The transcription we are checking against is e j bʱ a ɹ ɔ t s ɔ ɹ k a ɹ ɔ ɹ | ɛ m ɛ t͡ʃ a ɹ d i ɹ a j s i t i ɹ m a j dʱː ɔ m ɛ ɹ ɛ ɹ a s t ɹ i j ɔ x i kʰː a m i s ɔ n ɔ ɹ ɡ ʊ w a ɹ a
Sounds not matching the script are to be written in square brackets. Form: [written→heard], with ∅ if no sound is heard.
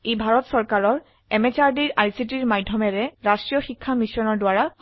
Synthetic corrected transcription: e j bʱ a ɹ ɔ t s ɔ ɹ k a ɹ ɔ ɹ | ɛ m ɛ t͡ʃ a ɹ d i ɹ a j s i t i ɹ m a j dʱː ɔ m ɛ ɹ ɛ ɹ a s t ɹ i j ɔ x i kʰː a m i s ɔ n ɔ ɹ [ɡ→d] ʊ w a ɹ a